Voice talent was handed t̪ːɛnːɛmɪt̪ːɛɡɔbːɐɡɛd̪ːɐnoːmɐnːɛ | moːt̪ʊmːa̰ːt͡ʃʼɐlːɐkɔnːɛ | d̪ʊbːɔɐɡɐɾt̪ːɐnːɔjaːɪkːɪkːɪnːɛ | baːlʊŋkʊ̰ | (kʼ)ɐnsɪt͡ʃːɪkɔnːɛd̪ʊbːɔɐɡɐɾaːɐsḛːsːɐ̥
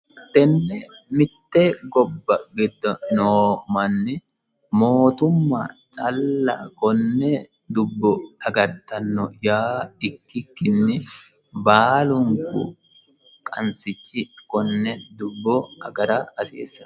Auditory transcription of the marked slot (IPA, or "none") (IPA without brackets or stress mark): kʼ